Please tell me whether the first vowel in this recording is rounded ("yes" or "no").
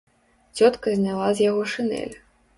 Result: yes